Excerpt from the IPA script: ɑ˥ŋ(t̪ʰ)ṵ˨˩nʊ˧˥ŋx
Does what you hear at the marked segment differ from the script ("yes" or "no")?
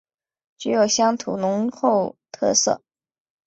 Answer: no